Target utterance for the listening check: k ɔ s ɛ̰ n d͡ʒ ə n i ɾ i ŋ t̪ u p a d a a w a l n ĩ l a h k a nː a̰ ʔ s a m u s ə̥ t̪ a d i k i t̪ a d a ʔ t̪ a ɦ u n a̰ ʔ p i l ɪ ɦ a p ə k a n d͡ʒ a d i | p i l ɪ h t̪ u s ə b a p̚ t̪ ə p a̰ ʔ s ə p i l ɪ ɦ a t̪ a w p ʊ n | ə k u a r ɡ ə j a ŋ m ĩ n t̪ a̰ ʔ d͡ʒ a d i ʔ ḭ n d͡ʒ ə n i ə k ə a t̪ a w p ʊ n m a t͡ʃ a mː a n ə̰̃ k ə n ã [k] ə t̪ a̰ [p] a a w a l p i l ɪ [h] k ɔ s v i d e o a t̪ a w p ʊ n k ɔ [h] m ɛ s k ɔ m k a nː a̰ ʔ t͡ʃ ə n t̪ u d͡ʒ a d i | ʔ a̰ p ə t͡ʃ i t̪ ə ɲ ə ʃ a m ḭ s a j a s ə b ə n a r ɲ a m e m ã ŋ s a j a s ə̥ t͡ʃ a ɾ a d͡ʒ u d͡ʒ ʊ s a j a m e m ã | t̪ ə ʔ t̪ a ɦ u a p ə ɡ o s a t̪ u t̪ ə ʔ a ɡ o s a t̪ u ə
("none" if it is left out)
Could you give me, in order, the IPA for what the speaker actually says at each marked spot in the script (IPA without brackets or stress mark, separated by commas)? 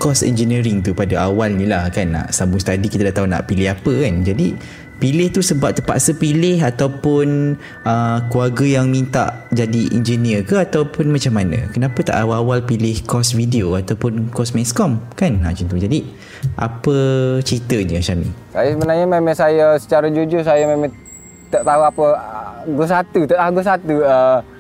p, ʔ, h, s